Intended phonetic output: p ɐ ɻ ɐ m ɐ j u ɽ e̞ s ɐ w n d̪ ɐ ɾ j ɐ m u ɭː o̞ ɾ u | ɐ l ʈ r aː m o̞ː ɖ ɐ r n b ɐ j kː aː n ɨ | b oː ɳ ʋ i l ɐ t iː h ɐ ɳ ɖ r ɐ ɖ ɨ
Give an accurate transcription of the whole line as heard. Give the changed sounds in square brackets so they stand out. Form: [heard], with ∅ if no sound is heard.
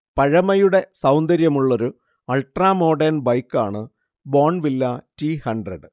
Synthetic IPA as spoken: p ɐ ɻ ɐ m ɐ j u ɽ e̞ s ɐ w n d̪ ɐ ɾ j ɐ m u ɭː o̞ ɾ u | ɐ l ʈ r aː m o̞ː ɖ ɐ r n b ɐ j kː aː [ɳ] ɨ | b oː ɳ ʋ i [lː] ɐ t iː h ɐ ɳ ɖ r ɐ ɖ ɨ